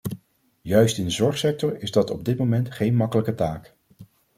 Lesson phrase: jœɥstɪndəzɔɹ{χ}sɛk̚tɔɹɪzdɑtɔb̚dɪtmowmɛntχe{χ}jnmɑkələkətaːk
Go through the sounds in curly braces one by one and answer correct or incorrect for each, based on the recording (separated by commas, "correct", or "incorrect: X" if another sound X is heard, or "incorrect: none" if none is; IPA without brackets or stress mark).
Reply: correct, incorrect: none